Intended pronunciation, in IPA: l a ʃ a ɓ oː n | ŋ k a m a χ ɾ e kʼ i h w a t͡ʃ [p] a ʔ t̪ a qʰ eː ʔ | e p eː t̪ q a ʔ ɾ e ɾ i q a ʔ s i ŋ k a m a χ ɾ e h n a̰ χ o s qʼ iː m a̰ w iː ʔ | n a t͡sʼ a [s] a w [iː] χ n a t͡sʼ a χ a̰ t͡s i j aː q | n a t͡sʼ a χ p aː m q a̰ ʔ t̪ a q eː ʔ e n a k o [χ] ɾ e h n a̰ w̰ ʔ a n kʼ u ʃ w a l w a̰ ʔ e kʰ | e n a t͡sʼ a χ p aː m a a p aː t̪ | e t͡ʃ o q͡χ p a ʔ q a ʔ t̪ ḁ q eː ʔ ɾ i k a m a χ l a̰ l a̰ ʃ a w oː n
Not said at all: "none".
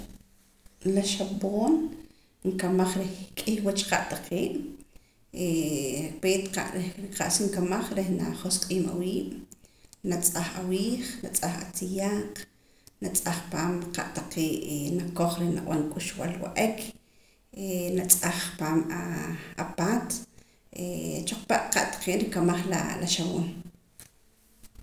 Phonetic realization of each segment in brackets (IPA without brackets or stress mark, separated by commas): q, χ, iː, χ